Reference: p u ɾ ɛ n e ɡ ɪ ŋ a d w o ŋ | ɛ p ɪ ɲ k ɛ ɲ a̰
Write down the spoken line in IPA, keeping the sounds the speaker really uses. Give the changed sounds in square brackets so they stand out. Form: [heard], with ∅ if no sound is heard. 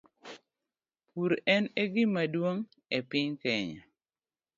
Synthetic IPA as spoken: p u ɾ ɛ n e ɡ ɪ [m] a d w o ŋ | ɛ p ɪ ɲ k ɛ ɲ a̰